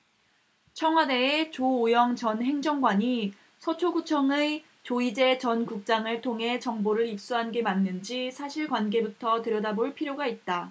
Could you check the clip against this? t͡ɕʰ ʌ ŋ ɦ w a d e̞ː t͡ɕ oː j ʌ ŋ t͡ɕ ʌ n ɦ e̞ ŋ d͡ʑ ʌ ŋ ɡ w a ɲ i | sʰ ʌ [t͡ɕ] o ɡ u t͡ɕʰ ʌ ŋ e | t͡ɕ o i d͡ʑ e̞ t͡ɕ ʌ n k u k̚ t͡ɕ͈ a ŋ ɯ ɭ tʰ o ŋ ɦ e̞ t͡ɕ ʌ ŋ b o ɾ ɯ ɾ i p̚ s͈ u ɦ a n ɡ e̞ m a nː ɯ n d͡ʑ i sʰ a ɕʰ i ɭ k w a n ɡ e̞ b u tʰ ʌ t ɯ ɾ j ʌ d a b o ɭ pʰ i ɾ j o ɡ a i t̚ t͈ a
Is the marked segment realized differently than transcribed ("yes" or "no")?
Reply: yes